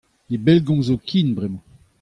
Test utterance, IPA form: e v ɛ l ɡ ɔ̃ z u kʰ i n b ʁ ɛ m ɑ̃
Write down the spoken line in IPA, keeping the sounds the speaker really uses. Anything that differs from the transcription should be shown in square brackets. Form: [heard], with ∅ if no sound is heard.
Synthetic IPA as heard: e [b] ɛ l ɡ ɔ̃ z [o] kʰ i n b ʁ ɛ m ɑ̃